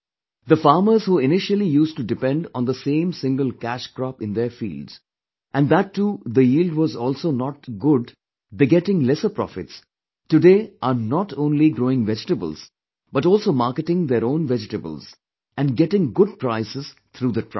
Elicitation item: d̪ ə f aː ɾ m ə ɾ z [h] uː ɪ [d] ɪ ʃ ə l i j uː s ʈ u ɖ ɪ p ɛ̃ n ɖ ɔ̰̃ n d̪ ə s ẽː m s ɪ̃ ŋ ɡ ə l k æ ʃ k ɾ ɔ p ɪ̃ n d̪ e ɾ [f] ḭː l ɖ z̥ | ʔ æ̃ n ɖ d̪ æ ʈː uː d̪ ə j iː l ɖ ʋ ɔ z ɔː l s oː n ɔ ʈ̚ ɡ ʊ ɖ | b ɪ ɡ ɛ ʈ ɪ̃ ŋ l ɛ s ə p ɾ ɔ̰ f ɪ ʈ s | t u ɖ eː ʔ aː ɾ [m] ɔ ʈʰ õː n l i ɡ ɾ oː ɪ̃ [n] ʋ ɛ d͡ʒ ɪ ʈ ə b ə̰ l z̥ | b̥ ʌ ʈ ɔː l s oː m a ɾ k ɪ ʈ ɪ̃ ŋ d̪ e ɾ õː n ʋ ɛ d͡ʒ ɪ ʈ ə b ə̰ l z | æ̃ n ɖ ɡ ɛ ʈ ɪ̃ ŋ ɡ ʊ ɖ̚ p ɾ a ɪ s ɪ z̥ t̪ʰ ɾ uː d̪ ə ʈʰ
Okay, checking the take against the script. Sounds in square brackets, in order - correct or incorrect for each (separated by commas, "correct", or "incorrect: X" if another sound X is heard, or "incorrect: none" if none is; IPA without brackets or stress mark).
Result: correct, incorrect: n, correct, incorrect: n, incorrect: ŋ